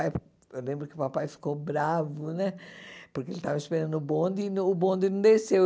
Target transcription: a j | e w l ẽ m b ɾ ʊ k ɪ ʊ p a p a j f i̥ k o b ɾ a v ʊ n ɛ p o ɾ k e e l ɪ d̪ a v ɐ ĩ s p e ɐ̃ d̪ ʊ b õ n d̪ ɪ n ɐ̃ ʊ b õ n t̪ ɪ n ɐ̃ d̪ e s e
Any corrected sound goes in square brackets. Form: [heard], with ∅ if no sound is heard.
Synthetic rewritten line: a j | e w l ẽ m b ɾ ʊ k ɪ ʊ p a p a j f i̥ k o b ɾ a v ʊ n ɛ p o ɾ k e e l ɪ [t̪] a v ɐ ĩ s p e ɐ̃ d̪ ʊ b õ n d̪ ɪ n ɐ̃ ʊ b õ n [d̪] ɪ n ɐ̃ d̪ e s e